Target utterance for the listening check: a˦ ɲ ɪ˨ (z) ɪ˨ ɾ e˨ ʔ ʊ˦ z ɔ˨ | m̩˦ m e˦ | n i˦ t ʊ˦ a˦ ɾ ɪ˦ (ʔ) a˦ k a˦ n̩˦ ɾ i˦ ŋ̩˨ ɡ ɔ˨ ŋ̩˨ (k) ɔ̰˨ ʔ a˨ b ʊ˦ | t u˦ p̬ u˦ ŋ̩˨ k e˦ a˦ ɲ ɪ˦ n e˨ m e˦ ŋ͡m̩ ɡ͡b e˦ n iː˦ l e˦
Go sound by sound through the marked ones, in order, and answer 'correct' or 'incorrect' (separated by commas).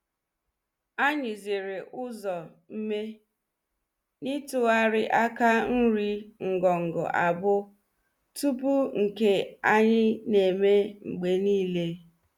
correct, correct, incorrect